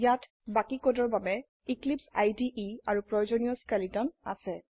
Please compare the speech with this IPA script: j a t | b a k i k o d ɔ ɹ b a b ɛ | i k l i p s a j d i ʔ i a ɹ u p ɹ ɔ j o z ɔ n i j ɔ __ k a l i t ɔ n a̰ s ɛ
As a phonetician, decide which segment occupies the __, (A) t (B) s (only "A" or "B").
B